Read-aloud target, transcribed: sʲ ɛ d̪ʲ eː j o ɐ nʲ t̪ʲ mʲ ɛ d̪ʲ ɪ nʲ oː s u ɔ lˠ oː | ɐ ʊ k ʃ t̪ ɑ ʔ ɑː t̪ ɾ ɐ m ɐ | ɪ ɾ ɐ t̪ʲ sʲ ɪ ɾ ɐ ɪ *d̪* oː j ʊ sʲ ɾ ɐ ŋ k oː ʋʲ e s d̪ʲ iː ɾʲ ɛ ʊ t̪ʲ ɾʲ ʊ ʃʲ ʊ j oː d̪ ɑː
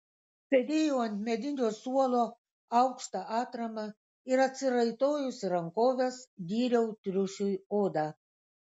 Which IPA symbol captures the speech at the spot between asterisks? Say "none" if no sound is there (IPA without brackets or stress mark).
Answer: t̪